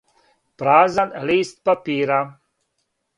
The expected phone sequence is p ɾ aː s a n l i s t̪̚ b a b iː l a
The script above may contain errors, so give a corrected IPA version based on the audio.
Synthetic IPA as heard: p ɾ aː z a n l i s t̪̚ p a p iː ɾ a